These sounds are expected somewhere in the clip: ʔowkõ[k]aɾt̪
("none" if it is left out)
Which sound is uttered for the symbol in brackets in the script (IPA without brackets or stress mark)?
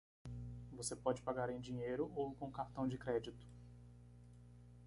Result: k